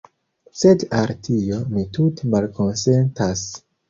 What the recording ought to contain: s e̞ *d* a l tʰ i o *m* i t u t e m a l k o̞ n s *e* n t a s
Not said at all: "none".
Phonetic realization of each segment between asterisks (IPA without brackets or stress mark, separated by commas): d, m, e